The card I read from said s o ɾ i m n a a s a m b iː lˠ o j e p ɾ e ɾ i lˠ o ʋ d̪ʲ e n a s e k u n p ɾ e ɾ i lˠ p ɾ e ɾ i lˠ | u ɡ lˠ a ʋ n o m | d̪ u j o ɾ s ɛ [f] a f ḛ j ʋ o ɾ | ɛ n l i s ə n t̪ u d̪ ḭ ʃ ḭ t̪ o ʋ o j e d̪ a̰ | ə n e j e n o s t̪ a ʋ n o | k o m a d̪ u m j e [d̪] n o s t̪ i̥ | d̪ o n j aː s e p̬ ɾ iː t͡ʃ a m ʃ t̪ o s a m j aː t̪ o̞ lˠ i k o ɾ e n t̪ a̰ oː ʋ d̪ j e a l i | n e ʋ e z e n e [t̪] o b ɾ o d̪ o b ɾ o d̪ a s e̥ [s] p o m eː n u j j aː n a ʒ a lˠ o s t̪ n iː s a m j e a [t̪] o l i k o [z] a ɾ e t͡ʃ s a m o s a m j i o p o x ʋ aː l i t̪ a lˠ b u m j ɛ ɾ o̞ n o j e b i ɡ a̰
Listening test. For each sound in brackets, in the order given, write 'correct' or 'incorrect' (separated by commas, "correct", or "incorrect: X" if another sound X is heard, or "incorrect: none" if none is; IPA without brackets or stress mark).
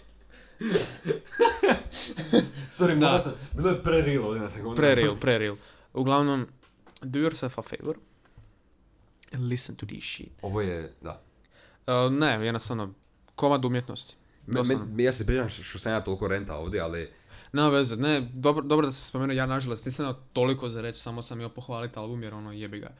correct, incorrect: t̪, incorrect: d̪, correct, correct, correct